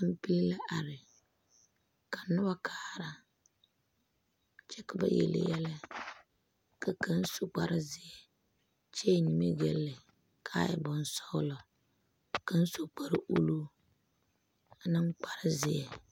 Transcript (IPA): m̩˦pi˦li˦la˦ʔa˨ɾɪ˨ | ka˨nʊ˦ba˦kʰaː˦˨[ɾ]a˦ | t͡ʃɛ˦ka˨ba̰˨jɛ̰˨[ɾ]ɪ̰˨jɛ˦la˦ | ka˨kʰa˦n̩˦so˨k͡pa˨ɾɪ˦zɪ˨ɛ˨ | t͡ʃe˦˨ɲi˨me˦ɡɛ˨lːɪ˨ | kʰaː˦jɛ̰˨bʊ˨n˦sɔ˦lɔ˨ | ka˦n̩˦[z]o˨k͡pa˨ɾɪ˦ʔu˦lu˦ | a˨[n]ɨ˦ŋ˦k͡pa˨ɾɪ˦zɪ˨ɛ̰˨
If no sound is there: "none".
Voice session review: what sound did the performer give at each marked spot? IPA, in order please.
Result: ɾ, l, s, n

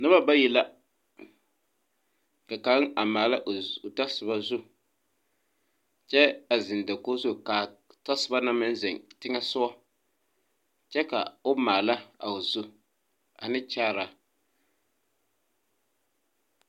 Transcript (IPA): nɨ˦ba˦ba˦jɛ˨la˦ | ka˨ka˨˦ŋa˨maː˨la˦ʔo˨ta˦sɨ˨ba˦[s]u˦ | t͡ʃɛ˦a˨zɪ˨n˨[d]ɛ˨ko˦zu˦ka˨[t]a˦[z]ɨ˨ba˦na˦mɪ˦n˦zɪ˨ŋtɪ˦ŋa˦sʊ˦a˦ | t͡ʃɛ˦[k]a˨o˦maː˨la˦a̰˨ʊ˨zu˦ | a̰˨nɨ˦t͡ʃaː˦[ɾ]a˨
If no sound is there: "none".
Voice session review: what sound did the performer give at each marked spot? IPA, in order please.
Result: z, d, t, s, k, ɾ

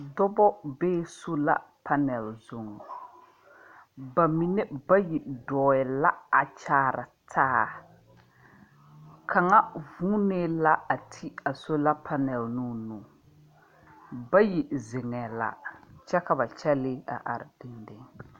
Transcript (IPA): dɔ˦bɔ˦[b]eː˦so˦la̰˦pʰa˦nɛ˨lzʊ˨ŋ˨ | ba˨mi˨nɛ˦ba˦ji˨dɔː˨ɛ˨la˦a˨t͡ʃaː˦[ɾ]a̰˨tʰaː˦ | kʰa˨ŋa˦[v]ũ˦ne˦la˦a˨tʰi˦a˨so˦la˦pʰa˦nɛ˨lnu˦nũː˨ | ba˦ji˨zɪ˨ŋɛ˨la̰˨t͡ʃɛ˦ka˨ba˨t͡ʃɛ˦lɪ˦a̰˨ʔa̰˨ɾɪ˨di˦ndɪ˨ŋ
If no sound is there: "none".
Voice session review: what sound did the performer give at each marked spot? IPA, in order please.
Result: b, ɾ, v

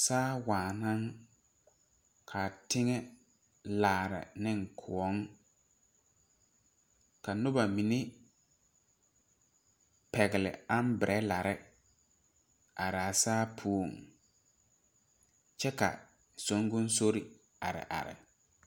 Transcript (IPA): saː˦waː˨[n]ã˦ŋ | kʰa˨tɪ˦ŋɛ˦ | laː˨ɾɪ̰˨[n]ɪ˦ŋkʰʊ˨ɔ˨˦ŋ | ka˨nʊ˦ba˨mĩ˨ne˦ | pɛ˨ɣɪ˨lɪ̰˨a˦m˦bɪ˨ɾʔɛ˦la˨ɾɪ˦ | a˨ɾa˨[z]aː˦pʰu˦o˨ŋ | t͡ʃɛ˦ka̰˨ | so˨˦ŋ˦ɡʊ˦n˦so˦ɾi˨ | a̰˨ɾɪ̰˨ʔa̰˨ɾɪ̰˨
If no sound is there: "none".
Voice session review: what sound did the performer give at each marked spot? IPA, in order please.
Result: n, n, s

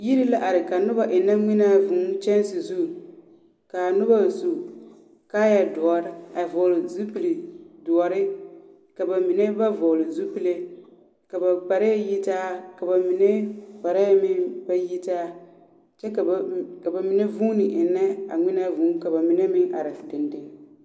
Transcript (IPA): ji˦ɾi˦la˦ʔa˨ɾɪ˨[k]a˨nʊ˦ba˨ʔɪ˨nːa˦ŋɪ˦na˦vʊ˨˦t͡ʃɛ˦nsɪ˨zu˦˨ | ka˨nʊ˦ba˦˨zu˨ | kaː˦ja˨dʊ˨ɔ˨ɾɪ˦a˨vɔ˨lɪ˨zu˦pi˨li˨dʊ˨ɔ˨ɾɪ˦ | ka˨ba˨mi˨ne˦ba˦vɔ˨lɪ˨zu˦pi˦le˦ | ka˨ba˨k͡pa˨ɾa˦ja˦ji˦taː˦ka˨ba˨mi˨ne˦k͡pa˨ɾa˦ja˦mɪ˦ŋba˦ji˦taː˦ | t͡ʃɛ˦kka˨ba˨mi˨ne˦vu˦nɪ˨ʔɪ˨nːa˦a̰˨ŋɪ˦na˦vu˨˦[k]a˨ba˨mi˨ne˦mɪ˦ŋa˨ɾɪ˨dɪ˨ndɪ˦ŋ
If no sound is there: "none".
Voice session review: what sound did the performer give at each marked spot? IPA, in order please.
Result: k, k

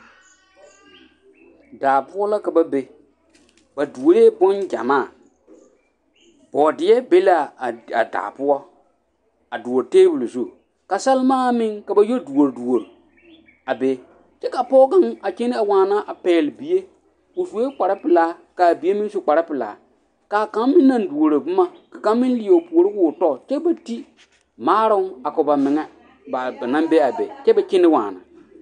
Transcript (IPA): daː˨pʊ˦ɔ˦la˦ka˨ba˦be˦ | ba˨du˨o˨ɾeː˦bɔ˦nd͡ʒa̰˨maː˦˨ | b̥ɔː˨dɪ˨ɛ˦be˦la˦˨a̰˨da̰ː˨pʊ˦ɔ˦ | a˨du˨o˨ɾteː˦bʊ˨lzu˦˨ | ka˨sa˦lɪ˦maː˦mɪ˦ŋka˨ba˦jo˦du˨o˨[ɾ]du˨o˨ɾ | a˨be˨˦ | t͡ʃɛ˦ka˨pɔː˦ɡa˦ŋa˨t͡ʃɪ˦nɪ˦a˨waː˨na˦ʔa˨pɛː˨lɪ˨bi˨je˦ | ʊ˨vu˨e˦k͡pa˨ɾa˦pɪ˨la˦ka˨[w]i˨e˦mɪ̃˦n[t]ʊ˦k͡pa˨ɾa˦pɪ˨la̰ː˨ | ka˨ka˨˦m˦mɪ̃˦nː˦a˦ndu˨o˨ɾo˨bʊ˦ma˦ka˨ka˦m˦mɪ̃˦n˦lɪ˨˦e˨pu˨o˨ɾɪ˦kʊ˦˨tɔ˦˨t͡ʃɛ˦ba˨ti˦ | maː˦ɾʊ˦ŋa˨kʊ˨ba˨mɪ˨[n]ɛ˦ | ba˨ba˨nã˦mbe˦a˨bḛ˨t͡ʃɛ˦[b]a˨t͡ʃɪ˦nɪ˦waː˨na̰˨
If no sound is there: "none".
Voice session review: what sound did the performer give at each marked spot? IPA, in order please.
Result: ɾ, b, s, ŋ, b

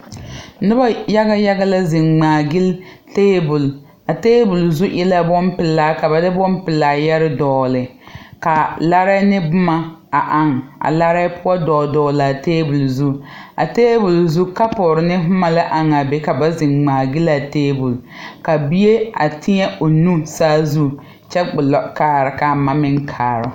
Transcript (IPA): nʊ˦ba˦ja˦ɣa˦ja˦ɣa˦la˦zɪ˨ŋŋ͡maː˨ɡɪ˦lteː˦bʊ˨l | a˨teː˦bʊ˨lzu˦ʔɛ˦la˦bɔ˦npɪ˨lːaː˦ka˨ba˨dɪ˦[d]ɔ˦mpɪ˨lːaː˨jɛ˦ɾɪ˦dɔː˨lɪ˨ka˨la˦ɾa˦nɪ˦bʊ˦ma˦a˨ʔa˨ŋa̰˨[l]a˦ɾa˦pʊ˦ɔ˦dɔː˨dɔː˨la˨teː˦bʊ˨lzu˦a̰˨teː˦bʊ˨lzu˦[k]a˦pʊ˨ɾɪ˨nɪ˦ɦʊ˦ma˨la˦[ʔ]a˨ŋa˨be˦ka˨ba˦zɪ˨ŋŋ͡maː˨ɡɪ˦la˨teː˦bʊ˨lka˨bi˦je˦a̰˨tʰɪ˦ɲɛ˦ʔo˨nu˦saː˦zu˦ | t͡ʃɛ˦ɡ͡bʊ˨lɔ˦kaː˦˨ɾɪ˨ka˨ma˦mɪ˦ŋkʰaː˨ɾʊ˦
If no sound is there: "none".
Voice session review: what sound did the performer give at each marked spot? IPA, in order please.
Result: b, l, k, ʔ

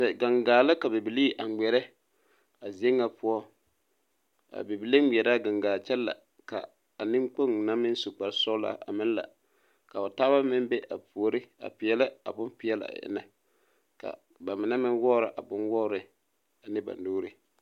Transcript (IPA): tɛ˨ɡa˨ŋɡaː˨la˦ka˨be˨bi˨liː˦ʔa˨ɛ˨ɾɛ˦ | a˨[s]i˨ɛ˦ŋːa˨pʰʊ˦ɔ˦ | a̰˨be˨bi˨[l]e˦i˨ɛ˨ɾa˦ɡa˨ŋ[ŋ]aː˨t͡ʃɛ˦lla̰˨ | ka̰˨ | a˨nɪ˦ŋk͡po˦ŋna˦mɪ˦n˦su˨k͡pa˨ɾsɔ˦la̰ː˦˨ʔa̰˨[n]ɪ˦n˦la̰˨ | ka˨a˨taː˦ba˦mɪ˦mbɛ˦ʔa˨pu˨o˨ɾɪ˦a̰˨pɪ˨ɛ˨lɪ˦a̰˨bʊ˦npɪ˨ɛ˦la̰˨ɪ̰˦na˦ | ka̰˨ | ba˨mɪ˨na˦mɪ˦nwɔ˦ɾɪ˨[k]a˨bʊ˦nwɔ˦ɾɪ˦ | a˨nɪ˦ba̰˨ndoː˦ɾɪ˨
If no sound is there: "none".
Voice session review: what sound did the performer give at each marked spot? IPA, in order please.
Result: z, l, ɡ, m, ʔ

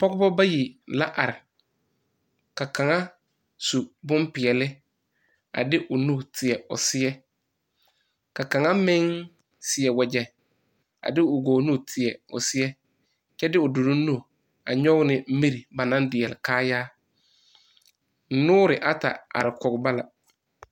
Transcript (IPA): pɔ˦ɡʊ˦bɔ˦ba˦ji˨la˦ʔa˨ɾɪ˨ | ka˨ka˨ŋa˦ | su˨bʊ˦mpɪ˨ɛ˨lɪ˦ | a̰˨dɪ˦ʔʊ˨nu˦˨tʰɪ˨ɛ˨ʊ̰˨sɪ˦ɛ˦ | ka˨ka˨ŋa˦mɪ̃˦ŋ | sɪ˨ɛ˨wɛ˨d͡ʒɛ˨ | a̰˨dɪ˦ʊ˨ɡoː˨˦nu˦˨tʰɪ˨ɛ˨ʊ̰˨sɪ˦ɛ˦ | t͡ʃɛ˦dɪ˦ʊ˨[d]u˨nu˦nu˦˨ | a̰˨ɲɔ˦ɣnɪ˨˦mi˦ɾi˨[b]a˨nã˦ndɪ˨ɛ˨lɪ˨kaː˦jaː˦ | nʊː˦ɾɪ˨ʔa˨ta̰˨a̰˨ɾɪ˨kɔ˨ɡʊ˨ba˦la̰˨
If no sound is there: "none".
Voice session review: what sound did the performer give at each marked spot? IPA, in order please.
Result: d, b

